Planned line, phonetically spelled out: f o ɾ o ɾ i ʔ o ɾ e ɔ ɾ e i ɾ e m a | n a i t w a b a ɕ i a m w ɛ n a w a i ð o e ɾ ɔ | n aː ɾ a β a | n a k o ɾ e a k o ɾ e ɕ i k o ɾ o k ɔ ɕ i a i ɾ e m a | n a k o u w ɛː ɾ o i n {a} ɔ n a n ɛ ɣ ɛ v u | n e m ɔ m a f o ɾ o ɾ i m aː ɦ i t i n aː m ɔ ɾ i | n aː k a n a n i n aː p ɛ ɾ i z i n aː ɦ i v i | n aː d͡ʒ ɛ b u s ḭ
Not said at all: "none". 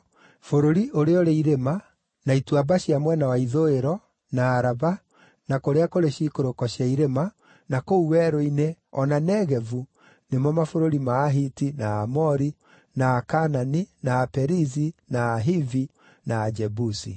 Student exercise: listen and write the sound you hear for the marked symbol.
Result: e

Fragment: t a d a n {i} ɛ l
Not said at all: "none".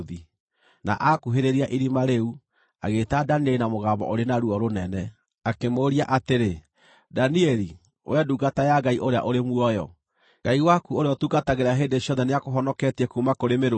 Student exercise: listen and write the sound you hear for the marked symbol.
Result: i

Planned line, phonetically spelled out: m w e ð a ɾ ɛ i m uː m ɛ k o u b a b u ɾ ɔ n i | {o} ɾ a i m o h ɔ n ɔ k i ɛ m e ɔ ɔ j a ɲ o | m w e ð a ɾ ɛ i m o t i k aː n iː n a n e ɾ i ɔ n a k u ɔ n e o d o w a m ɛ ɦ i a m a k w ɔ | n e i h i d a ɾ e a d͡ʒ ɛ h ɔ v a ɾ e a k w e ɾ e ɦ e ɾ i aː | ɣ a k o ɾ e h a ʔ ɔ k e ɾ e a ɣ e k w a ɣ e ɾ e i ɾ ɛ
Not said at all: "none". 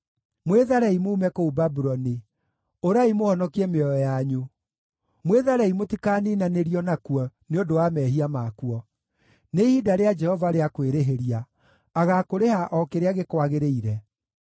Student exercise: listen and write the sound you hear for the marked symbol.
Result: o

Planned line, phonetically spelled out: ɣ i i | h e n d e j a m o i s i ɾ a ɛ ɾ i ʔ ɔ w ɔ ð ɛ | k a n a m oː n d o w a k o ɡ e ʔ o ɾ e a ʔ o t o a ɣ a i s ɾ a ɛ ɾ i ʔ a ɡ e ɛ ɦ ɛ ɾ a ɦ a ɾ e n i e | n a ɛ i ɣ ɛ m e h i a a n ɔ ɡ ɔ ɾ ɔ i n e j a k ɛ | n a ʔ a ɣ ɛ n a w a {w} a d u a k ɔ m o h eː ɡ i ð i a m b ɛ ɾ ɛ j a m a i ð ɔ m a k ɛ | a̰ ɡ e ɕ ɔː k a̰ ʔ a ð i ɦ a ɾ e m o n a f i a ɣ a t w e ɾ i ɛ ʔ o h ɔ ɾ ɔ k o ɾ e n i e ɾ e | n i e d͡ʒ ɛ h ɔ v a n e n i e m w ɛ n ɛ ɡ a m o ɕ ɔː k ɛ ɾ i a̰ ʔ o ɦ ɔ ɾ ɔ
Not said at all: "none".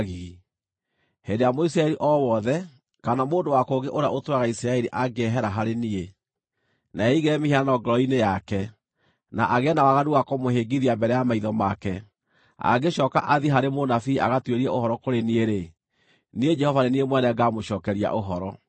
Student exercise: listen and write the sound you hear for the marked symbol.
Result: ɣ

